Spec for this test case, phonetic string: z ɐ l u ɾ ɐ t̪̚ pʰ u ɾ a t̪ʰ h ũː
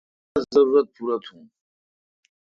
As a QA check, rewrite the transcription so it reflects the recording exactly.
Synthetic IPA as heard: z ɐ ɾ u ɾ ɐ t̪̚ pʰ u ɾ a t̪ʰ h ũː

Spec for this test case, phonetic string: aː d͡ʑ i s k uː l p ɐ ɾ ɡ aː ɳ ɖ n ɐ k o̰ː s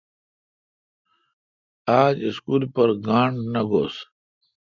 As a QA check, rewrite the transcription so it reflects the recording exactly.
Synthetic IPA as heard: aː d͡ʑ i s k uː l p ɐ ɾ ɡ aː ɳ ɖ n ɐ ɡ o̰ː s

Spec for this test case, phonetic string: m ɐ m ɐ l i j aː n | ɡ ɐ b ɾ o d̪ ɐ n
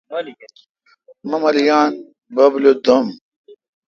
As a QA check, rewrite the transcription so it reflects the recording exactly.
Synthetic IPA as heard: m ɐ m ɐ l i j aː n | b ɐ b l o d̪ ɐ m

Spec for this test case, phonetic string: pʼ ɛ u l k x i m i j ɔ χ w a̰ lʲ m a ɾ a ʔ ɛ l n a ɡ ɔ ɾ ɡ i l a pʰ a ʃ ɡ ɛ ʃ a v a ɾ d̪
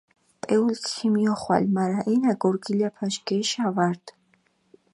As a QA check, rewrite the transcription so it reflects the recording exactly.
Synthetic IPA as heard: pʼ ɛ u l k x i m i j ɔ χ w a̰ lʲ m a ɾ a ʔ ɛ n a ɡ ɔ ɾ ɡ i l a pʰ a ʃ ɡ ɛ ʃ a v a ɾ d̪

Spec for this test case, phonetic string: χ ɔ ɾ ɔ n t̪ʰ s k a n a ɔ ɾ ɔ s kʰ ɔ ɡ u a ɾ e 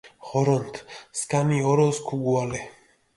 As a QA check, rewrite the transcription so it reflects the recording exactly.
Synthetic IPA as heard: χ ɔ ɾ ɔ n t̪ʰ s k a n i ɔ ɾ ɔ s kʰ u ɡ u a l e

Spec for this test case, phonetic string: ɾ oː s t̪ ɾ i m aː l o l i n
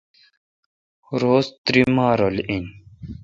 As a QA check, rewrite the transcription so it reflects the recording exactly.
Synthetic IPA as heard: ɾ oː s t̪ ɾ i m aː ɾ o l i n

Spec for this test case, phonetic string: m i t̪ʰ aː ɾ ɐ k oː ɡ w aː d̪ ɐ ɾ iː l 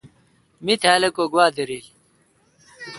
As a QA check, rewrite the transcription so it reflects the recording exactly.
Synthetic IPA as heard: m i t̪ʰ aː l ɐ k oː ɡ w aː d̪ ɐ ɾ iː l

